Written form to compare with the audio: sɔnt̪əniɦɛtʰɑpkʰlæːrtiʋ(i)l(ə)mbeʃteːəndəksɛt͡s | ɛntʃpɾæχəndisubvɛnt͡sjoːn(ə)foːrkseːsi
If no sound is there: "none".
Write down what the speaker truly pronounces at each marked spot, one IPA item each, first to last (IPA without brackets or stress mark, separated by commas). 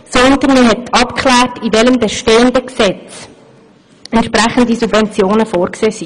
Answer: ɛ, ə, ə